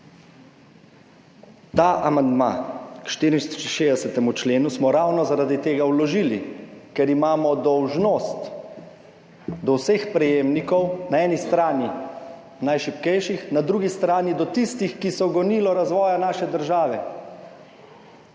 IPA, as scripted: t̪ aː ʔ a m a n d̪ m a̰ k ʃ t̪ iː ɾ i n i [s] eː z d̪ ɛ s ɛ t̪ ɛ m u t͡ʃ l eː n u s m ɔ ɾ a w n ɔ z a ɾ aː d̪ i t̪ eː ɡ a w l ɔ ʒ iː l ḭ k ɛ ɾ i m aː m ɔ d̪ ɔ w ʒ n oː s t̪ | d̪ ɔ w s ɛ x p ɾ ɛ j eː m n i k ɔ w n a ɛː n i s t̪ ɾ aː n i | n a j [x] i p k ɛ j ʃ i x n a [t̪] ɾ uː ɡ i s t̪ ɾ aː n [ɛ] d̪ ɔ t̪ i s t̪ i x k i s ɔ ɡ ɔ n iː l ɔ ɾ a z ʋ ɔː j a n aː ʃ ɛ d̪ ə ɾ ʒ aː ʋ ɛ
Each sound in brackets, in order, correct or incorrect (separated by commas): incorrect, incorrect, incorrect, incorrect